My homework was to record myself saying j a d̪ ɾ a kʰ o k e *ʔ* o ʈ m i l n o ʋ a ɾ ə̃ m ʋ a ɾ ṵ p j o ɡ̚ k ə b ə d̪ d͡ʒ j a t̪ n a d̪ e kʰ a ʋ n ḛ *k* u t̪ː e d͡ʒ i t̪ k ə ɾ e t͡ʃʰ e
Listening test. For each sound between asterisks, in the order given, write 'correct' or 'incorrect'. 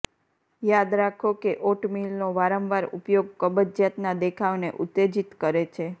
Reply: correct, incorrect

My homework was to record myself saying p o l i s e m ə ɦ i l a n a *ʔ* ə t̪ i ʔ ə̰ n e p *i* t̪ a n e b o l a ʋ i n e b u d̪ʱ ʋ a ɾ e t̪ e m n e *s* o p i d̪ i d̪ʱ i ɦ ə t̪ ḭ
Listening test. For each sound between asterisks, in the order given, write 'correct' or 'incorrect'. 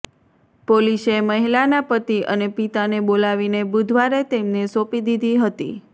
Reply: incorrect, correct, correct

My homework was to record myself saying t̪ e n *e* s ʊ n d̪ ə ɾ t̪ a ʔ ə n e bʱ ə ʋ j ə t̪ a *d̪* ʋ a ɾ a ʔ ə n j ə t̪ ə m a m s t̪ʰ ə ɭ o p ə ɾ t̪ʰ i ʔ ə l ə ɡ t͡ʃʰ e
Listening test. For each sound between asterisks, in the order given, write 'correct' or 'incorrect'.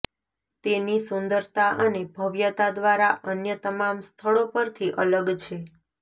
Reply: incorrect, correct

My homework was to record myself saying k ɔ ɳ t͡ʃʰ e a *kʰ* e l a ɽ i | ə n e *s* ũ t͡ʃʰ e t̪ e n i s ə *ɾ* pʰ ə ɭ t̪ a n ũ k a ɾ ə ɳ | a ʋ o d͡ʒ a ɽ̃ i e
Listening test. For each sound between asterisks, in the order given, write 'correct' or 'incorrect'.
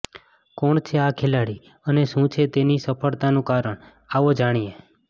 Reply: correct, incorrect, incorrect

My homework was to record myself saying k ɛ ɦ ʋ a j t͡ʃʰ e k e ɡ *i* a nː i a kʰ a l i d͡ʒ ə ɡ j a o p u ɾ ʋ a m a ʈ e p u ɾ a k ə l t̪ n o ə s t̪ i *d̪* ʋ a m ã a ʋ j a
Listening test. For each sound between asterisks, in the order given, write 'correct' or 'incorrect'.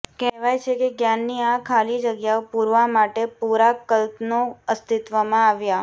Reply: incorrect, incorrect

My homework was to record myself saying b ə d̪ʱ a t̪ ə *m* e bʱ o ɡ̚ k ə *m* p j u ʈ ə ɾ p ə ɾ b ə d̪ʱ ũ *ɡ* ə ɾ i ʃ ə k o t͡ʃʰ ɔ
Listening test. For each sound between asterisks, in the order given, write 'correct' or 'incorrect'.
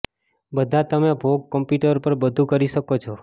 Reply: correct, correct, incorrect

